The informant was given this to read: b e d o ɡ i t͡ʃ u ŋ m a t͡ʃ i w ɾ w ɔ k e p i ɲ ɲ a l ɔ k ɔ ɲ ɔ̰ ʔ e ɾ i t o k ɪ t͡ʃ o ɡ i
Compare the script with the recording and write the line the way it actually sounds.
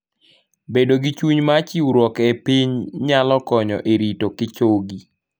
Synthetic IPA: b e d o ɡ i t͡ʃ u ɲ m a t͡ʃ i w ɾ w ɔ k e p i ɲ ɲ a l ɔ k ɔ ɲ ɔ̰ ʔ e ɾ i t o k ɪ t͡ʃ o ɡ i